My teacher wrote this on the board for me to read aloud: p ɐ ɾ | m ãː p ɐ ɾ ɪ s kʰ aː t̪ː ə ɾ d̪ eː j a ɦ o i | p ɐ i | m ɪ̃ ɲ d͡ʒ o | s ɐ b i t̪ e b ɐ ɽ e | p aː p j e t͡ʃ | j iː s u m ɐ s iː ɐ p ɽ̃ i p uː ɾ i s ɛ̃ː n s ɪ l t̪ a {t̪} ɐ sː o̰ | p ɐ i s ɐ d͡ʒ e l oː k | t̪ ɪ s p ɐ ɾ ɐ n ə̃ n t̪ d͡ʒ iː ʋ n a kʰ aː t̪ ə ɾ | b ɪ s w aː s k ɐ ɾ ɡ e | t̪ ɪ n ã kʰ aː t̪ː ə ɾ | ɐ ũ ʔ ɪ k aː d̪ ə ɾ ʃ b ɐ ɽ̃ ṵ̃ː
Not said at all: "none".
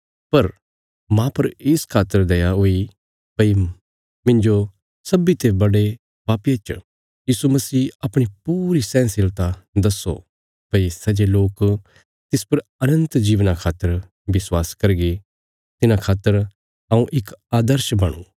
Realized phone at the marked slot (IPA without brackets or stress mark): d̪